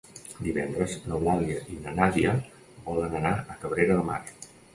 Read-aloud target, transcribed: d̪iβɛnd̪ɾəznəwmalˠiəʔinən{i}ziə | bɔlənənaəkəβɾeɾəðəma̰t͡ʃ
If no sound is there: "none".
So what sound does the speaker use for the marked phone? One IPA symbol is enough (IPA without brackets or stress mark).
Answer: a